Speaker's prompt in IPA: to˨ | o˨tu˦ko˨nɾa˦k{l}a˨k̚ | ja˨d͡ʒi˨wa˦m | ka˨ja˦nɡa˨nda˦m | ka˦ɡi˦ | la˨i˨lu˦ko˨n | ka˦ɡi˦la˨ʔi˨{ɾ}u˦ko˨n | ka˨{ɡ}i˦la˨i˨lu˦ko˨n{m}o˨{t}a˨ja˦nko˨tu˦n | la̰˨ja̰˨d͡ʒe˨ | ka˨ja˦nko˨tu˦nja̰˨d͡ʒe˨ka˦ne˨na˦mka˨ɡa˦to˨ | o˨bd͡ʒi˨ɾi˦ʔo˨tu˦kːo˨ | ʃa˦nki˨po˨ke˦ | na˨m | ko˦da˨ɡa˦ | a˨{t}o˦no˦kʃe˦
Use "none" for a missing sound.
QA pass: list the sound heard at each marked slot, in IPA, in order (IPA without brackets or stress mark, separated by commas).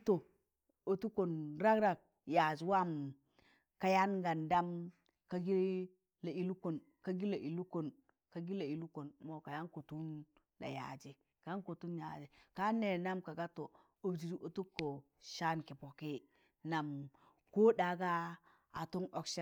ɾ, l, ɡ, m, k, t